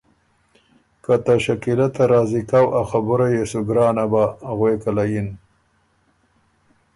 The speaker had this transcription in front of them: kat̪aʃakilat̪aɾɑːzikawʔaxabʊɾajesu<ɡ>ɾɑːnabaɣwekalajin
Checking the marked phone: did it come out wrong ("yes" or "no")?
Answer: no